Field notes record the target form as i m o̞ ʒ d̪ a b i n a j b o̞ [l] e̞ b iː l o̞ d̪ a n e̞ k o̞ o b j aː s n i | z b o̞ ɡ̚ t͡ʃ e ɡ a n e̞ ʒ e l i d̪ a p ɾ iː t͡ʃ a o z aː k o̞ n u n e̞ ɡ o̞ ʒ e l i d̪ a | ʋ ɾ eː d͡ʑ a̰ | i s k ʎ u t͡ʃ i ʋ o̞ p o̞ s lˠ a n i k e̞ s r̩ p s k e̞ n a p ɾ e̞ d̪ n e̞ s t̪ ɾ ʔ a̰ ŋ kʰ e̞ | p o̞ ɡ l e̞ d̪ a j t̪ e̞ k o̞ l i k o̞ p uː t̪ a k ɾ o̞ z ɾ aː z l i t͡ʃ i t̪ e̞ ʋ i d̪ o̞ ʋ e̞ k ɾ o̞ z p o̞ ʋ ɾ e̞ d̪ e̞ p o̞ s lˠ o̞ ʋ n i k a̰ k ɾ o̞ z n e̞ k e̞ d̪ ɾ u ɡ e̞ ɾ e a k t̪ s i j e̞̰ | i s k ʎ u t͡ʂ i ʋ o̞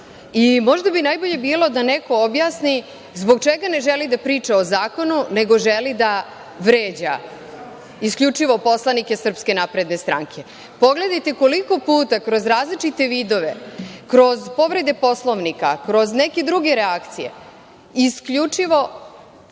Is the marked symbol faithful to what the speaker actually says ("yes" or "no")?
no